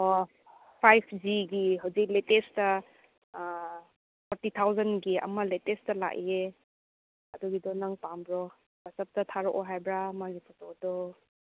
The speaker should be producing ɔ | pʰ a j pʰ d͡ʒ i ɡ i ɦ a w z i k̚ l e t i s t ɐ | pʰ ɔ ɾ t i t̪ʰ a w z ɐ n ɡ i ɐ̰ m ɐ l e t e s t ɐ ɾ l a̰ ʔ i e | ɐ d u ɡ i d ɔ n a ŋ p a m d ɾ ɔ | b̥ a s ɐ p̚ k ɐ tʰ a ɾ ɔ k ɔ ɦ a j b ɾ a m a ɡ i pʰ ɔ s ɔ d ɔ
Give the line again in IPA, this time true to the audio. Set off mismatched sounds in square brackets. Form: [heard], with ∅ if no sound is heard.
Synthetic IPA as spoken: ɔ | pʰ a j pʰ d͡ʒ i ɡ i ɦ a w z i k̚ l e t [e] s t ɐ | pʰ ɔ ɾ t i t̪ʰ a w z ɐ n ɡ i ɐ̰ m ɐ l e t e s t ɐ [∅] l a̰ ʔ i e | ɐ d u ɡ i d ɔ n a ŋ p a m [b] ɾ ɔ | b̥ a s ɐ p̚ [t] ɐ tʰ a ɾ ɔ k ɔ ɦ a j b ɾ a m a ɡ i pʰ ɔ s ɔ d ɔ

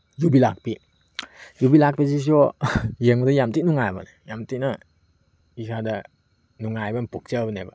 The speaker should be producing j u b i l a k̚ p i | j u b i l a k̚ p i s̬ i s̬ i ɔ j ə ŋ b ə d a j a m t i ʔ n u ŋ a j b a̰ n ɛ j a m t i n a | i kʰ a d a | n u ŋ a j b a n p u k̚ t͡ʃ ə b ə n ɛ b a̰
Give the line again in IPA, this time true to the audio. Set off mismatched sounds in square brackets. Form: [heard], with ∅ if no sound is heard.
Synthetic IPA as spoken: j u b i l a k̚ p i | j u b i l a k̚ p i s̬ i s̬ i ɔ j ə ŋ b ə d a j a m t i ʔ n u ŋ a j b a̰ n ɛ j a m t i n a | i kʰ a d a | n u ŋ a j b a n p u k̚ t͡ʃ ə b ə n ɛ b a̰

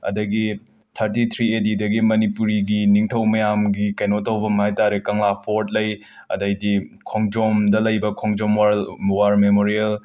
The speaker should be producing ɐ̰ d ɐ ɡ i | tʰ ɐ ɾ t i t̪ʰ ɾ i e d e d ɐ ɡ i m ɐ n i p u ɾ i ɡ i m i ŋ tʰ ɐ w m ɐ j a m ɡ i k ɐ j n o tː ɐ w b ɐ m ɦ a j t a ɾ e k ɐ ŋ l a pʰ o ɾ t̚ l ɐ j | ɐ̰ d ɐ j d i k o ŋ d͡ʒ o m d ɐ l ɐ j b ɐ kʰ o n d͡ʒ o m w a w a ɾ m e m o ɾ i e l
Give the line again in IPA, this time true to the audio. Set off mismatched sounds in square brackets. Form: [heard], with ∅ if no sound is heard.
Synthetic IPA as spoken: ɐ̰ d ɐ ɡ i | tʰ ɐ ɾ t i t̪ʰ ɾ i e d [i] d ɐ ɡ i m ɐ n i p u ɾ i ɡ i [n] i ŋ tʰ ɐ w m ɐ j a m ɡ i k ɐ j n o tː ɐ w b ɐ m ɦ a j t a ɾ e k ɐ ŋ l a pʰ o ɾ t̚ l ɐ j | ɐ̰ d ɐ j d i [kʰ] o ŋ d͡ʒ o m d ɐ l ɐ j b ɐ kʰ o [ŋ] d͡ʒ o m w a w a ɾ m e m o ɾ i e l

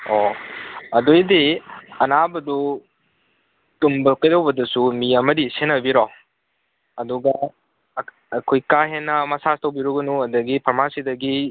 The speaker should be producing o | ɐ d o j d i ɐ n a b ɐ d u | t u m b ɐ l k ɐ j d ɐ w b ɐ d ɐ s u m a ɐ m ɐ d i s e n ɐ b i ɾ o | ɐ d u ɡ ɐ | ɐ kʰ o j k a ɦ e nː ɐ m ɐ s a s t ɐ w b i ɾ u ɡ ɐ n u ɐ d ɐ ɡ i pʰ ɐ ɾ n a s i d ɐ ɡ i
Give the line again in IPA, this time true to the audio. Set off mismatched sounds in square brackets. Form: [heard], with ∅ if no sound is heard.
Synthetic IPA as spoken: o | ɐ d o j d i ɐ n a b ɐ d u | t u m b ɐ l k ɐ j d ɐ w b ɐ d ɐ s u m [i] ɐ m ɐ d i s e n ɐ b i ɾ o | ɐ d u ɡ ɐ | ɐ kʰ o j k a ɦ e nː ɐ m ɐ s a s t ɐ w b i ɾ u ɡ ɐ n u ɐ d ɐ ɡ i pʰ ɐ ɾ [m] a s i d ɐ ɡ i

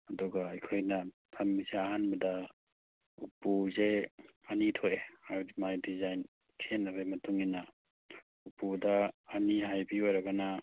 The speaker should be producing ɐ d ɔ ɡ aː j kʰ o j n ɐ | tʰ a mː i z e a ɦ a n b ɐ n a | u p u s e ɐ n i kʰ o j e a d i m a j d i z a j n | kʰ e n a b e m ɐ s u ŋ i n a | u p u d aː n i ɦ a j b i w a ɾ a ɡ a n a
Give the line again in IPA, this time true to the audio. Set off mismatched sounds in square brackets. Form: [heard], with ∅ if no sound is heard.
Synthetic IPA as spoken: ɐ d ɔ ɡ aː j kʰ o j n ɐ | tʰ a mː i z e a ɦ a n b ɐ [d] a | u p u [z] e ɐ n i [tʰ] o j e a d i m a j d i z a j n | kʰ e n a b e m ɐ [t] u ŋ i n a | u p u d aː n i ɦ a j b i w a ɾ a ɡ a n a

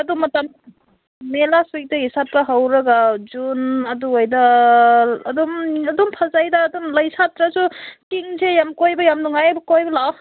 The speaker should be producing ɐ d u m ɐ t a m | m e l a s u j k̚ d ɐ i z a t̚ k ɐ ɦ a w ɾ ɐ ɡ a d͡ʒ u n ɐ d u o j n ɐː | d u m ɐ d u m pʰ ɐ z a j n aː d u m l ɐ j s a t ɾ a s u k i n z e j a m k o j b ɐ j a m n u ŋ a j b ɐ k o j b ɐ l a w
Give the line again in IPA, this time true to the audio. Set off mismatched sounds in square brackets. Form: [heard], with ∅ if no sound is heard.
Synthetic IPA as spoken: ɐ d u m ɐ t a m | m e l a s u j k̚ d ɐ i [s] a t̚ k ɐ ɦ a w ɾ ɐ ɡ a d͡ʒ u n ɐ d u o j [d] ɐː | d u m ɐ d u m pʰ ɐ z a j [d] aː d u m l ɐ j s a t ɾ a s u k i [ŋ] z e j a m k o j b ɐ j a m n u ŋ a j b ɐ k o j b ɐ l a w

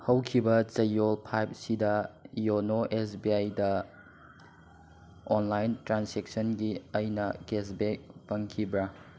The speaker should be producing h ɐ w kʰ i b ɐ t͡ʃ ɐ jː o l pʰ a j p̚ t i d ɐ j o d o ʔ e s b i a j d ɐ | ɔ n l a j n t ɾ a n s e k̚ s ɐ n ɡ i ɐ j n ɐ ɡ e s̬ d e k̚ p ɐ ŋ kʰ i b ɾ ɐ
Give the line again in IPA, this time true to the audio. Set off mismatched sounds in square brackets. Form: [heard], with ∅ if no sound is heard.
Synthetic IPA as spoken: h ɐ w kʰ i b ɐ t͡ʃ ɐ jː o l pʰ a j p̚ [s] i d ɐ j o [n] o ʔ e s b i a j d ɐ | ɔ n l a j n t ɾ a n s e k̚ s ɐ n ɡ i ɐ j n ɐ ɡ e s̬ [b] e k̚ p ɐ ŋ kʰ i b ɾ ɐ

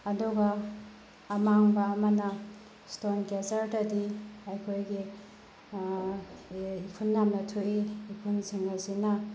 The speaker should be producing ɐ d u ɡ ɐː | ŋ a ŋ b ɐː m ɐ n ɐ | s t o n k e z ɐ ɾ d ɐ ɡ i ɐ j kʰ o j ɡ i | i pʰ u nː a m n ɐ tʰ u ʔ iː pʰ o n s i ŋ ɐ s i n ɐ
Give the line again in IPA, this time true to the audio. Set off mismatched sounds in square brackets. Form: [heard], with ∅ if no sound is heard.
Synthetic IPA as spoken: ɐ d u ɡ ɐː | [m] a ŋ b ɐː m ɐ n ɐ | s t o n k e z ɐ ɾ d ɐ [d] i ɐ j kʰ o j ɡ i | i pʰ u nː a m n ɐ tʰ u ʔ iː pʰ [u] n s i ŋ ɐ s i n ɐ

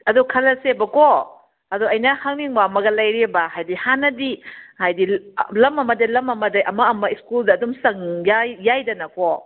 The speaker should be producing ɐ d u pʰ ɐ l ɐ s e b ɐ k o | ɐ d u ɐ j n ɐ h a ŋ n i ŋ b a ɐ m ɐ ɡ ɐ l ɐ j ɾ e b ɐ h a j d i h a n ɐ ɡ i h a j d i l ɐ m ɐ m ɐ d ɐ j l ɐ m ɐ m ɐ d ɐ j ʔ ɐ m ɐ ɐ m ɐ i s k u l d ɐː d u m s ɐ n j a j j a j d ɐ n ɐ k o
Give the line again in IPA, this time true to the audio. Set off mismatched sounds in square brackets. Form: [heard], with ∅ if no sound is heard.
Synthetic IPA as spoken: ɐ d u [kʰ] ɐ l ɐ s e b ɐ k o | ɐ d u ɐ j n ɐ h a ŋ n i ŋ b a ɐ m ɐ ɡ ɐ l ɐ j ɾ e b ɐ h a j d i h a n ɐ [d] i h a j d i l ɐ m ɐ m ɐ d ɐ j l ɐ m ɐ m ɐ d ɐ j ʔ ɐ m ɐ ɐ m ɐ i s k u l d ɐː d u m s ɐ [ŋ] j a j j a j d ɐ n ɐ k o

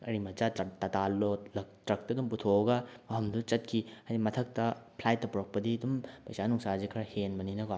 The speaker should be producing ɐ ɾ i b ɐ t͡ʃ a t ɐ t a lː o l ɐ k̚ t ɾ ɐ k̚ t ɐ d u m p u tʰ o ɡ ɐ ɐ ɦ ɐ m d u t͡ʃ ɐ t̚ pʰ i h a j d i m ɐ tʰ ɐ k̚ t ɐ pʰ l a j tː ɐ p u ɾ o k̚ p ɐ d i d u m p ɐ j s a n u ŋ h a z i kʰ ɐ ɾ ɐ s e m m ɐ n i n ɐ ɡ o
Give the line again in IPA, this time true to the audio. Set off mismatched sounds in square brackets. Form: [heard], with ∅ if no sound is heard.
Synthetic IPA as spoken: ɐ ɾ i [m] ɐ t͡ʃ a t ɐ t a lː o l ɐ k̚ t ɾ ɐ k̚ t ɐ d u m p u tʰ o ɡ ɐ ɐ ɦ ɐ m d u t͡ʃ ɐ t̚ [kʰ] i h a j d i m ɐ tʰ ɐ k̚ t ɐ pʰ l a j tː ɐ p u ɾ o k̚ p ɐ d i d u m p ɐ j s a n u ŋ [s] a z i kʰ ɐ ɾ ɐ [h] e [n] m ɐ n i n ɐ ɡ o

